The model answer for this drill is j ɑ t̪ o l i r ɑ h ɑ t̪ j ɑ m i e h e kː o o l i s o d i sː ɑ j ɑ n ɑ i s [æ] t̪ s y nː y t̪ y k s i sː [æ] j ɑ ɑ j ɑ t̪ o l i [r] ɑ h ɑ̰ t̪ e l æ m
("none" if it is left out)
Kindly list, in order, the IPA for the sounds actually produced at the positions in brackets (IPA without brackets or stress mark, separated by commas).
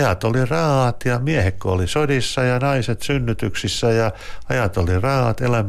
e, æ, r